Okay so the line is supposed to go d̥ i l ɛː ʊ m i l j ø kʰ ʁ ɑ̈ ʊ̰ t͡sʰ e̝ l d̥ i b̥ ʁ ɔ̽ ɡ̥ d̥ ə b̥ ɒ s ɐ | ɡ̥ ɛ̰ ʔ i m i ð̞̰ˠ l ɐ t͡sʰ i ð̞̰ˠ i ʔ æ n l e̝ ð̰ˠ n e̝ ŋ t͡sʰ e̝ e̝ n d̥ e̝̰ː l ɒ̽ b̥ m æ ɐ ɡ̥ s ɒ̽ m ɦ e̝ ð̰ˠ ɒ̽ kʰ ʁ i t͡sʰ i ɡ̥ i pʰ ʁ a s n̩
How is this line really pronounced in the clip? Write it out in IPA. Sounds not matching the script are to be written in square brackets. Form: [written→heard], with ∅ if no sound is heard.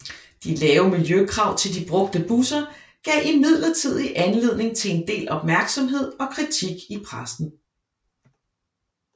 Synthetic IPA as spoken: d̥ i l ɛː ʊ m i l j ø kʰ ʁ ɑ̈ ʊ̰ t͡sʰ e̝ l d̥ i b̥ ʁ ɔ̽ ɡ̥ d̥ ə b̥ [ɒ→u] s ɐ | ɡ̥ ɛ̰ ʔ i m i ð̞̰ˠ l ɐ t͡sʰ i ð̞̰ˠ i ʔ æ n l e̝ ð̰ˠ n e̝ ŋ t͡sʰ e̝ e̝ n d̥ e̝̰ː l ɒ̽ b̥ m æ ɐ ɡ̥ s ɒ̽ m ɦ e̝ ð̰ˠ ɒ̽ kʰ ʁ i t͡sʰ i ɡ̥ i pʰ ʁ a s n̩